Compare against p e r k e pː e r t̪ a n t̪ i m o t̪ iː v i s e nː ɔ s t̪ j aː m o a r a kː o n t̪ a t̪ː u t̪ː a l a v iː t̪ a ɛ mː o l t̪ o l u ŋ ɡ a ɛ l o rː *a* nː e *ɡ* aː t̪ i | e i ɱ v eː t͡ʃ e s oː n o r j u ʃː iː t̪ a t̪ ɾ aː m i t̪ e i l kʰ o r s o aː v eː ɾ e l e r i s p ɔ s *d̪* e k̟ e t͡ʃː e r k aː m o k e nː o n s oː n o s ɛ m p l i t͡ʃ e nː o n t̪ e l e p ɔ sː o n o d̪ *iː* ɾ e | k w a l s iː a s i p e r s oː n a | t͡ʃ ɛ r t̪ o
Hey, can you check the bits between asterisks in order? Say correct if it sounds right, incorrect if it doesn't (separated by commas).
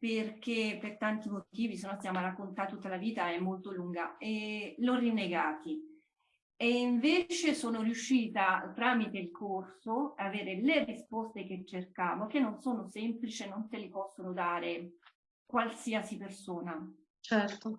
incorrect, correct, incorrect, incorrect